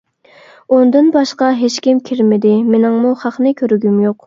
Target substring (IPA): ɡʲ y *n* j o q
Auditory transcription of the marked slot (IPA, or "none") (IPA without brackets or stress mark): m